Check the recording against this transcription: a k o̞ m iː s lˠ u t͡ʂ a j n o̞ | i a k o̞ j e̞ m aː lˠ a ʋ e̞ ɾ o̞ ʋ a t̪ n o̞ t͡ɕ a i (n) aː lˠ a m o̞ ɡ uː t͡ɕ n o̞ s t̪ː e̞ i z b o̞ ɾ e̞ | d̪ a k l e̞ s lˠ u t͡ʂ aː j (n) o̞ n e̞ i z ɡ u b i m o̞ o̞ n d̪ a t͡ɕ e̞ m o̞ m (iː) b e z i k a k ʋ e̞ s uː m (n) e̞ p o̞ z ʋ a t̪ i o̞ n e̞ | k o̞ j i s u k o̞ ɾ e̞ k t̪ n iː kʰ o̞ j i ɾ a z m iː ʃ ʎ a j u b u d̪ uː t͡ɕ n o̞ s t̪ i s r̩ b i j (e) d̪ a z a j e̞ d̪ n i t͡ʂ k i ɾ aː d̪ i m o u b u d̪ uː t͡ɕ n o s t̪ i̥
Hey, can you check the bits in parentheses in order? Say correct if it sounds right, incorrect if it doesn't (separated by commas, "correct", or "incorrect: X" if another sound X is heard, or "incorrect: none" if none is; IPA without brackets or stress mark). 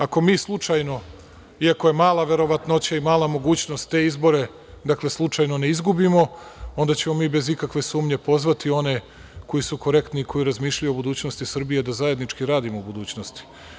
incorrect: m, correct, correct, incorrect: ɲ, correct